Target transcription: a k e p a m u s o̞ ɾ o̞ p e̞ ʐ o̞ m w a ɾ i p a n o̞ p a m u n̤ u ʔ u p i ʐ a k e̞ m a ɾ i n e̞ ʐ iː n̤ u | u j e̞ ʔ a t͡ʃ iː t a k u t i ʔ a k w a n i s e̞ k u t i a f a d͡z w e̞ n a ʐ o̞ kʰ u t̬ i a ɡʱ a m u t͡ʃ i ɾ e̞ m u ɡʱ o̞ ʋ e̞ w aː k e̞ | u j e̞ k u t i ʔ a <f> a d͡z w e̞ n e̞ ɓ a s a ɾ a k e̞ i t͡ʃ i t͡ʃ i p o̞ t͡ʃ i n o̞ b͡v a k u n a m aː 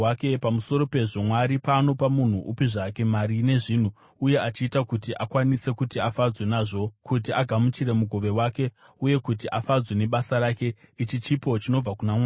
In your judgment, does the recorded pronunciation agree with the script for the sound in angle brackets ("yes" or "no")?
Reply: yes